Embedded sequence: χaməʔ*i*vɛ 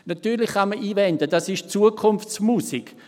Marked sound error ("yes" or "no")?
yes